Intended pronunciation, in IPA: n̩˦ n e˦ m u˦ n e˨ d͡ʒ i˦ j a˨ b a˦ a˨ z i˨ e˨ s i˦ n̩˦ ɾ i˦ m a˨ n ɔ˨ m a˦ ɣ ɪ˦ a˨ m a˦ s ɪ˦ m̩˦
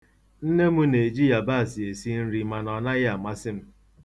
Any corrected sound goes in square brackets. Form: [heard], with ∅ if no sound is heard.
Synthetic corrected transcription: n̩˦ n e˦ m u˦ n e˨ d͡ʒ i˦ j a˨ b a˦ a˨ [s] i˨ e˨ s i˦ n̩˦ ɾ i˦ m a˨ n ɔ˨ [n] a˦ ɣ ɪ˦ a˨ m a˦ s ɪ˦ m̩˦